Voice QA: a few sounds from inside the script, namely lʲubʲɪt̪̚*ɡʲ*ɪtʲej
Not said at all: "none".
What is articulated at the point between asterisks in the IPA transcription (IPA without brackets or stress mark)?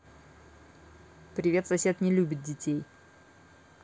dʲ